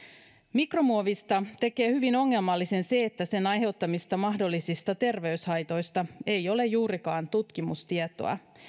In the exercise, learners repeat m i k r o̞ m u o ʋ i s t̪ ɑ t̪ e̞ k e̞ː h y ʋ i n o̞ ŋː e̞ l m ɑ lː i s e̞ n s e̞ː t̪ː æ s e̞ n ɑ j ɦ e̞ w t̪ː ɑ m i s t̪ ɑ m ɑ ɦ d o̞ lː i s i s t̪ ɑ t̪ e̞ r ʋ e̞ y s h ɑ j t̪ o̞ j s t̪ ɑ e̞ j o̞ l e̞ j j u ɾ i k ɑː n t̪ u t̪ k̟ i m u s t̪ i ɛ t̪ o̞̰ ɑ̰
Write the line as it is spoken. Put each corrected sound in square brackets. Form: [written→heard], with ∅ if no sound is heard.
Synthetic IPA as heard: m i k r o̞ m u o ʋ i s t̪ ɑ t̪ e̞ k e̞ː h y ʋ i n o̞ ŋː e̞ l m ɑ lː i s e̞ n s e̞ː t̪ː æ s e̞ n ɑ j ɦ e̞ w t̪ː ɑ m i s t̪ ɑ m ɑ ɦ d o̞ lː i s i s t̪ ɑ t̪ e̞ r ʋ e̞ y s h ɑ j t̪ o̞ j s t̪ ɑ e̞ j o̞ l e̞ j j [u→uː] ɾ i k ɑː n t̪ u t̪ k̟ i m u s t̪ i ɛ t̪ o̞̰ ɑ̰

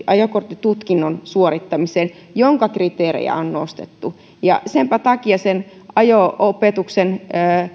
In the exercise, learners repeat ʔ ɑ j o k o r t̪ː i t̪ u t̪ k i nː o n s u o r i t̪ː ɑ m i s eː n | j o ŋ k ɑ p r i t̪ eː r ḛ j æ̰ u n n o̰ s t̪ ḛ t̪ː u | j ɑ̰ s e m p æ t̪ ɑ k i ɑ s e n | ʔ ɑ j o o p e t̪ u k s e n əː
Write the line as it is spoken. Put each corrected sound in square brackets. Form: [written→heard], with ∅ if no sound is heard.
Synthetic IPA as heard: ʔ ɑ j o k o r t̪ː i t̪ u t̪ k i nː o n s u o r i t̪ː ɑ m i s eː n | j o ŋ k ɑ [p→k] r i t̪ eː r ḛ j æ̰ [u→o] n n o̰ s t̪ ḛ t̪ː u | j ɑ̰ s e m p æ t̪ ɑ k i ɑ s e n | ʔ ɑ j o o p e t̪ u k s e n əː

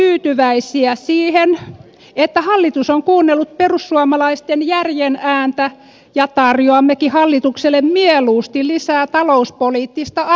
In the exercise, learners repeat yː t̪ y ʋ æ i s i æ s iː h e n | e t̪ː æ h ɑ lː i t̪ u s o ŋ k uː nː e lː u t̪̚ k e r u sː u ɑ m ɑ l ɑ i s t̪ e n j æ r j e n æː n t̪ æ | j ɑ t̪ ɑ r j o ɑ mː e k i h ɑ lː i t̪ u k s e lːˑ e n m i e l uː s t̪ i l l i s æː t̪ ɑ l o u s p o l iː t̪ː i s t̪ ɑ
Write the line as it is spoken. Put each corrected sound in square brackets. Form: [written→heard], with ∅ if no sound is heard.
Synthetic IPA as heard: yː t̪ y ʋ æ i s i æ s iː h e n | e t̪ː æ h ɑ lː i t̪ u s o ŋ k uː nː e lː u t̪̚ [k→p] e r u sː u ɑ m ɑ l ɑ i s t̪ e n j æ r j e n æː n t̪ æ | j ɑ t̪ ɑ r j o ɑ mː e k i h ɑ lː i t̪ u k s e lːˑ e [n→m] m i e l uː s t̪ i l l i s æː t̪ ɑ l o u s p o l iː t̪ː i s t̪ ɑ

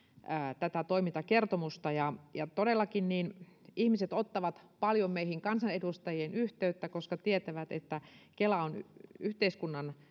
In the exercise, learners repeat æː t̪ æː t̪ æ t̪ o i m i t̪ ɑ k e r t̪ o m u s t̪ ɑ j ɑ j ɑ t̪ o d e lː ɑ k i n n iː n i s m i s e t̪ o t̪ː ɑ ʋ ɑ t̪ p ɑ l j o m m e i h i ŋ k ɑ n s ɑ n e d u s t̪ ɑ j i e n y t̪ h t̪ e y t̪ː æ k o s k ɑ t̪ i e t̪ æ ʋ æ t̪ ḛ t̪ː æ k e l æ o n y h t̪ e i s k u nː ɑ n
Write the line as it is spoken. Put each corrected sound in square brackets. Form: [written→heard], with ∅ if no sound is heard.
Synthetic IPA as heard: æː t̪ [æː→æ] t̪ æ t̪ o i m i t̪ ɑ k e r t̪ o m u s t̪ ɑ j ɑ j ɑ t̪ o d e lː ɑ k i n n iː n i [s→h] m i s e t̪ o t̪ː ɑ ʋ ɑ t̪ p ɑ l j o m m e i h i ŋ k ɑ n s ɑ n e d u s t̪ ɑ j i e n y [t̪→∅] h t̪ e y t̪ː æ k o s k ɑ t̪ i e t̪ æ ʋ æ t̪ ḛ t̪ː æ k e l æ o n y h t̪ e i s k u nː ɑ n

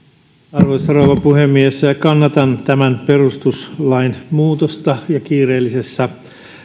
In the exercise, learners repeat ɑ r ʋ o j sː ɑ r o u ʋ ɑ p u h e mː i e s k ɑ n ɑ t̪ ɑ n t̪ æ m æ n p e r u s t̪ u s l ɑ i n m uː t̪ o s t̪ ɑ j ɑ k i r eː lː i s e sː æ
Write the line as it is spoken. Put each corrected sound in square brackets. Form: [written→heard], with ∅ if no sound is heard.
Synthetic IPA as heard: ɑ r ʋ o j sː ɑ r o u ʋ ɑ p u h e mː i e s k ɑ [n→nː] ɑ t̪ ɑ n t̪ æ m æ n p e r u s t̪ u s l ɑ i n m uː t̪ o s t̪ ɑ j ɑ k [i→iː] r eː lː i s e sː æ

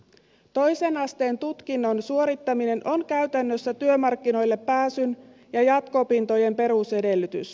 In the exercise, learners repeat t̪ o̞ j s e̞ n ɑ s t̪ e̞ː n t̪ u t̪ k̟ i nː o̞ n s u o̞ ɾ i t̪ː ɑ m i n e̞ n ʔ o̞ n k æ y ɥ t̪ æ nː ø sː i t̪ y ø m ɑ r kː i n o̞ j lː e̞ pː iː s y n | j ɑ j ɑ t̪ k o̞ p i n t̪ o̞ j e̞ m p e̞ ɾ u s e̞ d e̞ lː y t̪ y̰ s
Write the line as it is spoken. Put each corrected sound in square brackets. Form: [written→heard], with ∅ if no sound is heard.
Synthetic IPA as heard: t̪ o̞ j s e̞ n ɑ s t̪ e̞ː n t̪ u t̪ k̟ i nː o̞ n s u o̞ ɾ i t̪ː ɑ m i n e̞ n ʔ o̞ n k æ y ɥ t̪ æ nː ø sː [i→æ] t̪ y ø m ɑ r kː i n o̞ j lː e̞ pː [iː→æː] s y n | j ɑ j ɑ t̪ k o̞ p i n t̪ o̞ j e̞ m p e̞ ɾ u s e̞ d e̞ lː y t̪ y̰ s

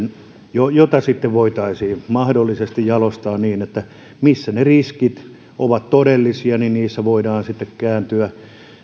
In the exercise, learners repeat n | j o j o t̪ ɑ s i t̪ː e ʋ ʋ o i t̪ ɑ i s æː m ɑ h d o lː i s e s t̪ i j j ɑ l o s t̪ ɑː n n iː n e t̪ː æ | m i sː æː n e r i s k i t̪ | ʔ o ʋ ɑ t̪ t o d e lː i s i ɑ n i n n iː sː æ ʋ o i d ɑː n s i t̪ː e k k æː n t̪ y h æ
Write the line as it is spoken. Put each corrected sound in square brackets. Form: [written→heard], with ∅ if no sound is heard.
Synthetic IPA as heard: n | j o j o t̪ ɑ s i t̪ː e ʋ ʋ o i t̪ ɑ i s [æː→iː] m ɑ h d o lː i s e s t̪ i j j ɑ l o s t̪ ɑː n n iː n e t̪ː æ | m i sː [æː→æ] n e r i s k i t̪ | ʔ o ʋ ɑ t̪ t o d e lː i s i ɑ n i n n iː sː æ ʋ o i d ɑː n s i t̪ː e k k æː n t̪ y [h→∅] æ

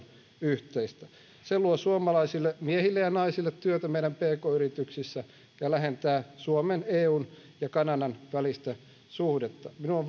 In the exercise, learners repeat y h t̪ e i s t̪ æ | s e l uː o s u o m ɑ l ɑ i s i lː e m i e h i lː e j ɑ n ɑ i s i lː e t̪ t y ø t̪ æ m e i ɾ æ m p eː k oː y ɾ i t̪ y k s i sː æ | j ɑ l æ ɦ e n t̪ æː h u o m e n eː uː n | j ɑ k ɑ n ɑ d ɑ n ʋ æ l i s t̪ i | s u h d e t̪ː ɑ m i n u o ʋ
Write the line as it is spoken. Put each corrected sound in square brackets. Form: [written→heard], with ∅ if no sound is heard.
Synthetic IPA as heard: y h t̪ e i s t̪ æ | s e l [uː→u] o s u o m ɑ l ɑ i s i lː e m i e h i lː e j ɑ n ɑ i s i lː e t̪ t y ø t̪ æ m e i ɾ æ m p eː k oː y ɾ i t̪ y k s i sː æ | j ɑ l æ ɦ e n t̪ æː [h→s] u o m e n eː uː n | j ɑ k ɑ n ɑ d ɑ n ʋ æ l i s t̪ [i→æ] | s u h d e t̪ː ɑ m i n u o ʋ

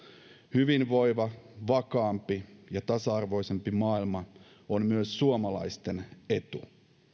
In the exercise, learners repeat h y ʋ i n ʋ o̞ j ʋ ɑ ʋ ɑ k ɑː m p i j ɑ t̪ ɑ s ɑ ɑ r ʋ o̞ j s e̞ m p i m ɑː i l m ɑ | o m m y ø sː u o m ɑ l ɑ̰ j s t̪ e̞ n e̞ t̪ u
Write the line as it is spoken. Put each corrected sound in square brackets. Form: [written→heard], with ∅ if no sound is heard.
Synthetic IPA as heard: h y ʋ i n ʋ o̞ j ʋ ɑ ʋ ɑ k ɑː m p i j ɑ t̪ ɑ s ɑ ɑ r ʋ o̞ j s e̞ m p i m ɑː i l m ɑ | o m m y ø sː u o m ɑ l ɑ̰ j s t̪ e̞ n e̞ t̪ u

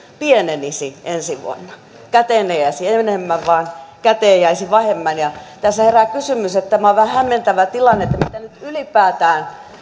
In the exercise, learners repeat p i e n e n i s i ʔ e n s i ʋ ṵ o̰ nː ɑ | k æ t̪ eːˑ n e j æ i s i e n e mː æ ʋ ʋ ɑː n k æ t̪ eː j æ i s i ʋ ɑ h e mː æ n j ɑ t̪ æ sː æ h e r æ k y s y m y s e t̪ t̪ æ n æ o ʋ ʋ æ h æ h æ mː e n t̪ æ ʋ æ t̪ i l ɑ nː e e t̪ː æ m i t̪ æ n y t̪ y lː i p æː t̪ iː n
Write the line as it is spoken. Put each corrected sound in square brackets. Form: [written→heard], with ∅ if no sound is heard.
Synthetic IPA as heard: p i e n e n i s i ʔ e n s i ʋ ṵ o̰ nː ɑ | k æ t̪ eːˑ n e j æ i s i e n e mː æ ʋ ʋ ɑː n k æ t̪ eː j æ i s i ʋ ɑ h e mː æ n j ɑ t̪ æ sː æ h e r æ k y s y m y s e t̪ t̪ æ [n→m] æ o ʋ ʋ æ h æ h æ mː e n t̪ æ ʋ æ t̪ i l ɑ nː e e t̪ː æ m i t̪ æ n y t̪ y [lː→l] i p æː t̪ [iː→æː] n

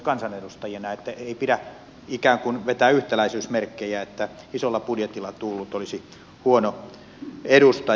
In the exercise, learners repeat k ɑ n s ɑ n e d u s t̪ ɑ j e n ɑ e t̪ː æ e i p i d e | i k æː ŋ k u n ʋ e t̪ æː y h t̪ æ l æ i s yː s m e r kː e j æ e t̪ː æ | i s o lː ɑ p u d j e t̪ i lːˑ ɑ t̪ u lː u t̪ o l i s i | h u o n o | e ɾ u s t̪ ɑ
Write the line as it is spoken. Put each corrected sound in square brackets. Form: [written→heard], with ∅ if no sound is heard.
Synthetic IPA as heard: k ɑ n s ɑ n e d u s t̪ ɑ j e n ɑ e t̪ː æ e i p i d [e→æ] | i k æː ŋ k u n ʋ e t̪ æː y h t̪ æ l æ i s yː s m e r kː e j æ e t̪ː æ | i s o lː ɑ p u d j e t̪ i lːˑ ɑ t̪ u lː u t̪ o l i s i | h u o n o | e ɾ u s t̪ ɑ

